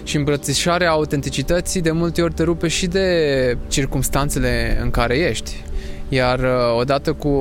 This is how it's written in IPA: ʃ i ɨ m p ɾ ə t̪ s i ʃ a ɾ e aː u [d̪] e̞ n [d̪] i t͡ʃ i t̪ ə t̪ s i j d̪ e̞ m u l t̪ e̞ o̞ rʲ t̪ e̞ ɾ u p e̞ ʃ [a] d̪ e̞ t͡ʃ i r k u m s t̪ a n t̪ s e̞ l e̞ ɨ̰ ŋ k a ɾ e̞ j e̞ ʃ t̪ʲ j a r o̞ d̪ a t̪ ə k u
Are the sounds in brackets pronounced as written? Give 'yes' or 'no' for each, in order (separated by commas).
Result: no, no, no